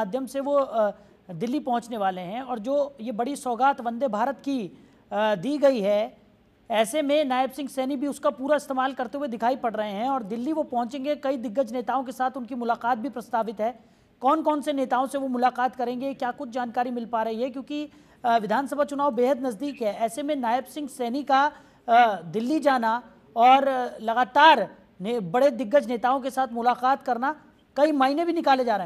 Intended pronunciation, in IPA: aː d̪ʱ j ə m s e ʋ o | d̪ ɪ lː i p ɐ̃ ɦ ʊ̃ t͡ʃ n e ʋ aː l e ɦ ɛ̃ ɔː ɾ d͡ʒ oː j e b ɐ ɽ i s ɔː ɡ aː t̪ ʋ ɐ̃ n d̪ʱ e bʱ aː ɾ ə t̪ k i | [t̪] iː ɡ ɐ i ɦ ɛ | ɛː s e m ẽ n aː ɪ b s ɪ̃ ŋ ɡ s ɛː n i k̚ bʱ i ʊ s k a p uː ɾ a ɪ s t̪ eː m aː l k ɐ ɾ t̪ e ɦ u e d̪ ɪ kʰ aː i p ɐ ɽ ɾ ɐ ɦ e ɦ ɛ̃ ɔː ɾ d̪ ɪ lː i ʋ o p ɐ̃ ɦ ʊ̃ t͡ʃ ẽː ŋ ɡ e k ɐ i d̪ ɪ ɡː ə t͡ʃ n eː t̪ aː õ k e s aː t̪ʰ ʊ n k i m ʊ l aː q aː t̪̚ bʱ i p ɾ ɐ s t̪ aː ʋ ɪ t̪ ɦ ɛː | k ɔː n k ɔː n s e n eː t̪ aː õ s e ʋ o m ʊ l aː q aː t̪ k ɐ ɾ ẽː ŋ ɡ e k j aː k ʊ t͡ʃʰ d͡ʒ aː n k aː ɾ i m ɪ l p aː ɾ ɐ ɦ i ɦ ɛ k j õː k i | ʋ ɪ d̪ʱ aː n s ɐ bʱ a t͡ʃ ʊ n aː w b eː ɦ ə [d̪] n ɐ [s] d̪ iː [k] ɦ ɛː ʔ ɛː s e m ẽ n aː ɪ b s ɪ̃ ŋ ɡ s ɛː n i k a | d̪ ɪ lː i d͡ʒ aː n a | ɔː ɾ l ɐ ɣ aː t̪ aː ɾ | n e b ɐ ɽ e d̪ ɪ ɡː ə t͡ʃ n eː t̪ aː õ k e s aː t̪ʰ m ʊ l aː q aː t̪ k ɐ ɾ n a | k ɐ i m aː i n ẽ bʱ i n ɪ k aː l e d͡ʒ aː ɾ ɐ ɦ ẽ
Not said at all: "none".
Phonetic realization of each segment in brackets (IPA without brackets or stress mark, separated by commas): d̪, d̪, z, k